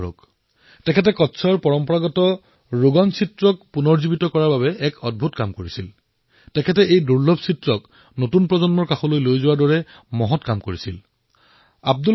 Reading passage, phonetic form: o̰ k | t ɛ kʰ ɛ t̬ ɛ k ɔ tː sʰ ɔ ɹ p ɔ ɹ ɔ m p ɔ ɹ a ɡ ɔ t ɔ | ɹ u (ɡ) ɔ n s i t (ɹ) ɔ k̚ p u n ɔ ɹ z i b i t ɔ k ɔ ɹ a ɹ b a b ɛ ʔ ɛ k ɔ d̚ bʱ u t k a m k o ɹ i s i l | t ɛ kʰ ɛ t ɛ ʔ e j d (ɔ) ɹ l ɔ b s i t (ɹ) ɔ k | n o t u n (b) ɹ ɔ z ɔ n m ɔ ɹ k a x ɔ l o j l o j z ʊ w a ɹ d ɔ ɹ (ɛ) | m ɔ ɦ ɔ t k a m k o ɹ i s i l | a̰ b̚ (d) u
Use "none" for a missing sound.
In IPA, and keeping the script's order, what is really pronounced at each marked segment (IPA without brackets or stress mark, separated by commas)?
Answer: ɡ, ɹ, u, ɹ, p, ɛ, d